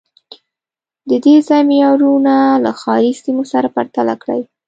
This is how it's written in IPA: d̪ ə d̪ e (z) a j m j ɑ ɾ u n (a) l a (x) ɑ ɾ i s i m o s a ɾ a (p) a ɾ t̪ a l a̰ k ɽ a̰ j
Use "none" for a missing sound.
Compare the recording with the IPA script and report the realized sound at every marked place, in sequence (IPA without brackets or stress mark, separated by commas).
z, a, x, p